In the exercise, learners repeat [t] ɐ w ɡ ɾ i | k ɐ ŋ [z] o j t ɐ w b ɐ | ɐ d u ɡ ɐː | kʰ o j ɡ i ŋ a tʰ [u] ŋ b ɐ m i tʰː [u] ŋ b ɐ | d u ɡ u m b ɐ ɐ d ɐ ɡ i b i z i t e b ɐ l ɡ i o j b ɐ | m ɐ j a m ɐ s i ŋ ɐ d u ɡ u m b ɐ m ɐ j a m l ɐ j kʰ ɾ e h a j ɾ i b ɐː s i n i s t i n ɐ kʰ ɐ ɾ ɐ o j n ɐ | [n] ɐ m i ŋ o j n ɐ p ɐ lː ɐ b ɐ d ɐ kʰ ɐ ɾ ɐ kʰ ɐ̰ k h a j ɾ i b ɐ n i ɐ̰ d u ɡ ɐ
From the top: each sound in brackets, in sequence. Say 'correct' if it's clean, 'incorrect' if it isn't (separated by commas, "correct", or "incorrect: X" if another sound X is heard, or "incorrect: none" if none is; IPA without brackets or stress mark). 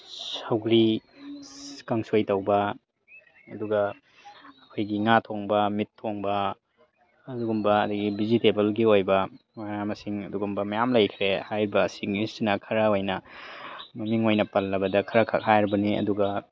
incorrect: s, incorrect: s, incorrect: o, incorrect: o, incorrect: m